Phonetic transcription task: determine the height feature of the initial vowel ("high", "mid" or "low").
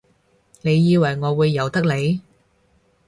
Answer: mid